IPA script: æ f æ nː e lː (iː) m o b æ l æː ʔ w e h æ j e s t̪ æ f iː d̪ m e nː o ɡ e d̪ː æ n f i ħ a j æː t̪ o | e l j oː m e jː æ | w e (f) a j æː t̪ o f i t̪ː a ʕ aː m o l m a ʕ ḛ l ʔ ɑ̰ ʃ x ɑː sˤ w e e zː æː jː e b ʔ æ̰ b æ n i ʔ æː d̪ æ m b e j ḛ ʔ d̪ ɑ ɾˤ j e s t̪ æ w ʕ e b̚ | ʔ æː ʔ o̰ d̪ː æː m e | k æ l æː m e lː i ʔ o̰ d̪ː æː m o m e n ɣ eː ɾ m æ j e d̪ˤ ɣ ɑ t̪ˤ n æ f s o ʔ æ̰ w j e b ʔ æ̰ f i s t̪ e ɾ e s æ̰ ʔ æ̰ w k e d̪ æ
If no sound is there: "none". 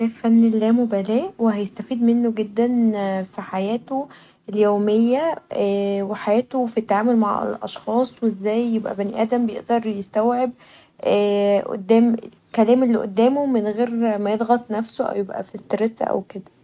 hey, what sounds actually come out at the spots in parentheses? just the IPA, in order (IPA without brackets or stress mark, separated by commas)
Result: æː, ħ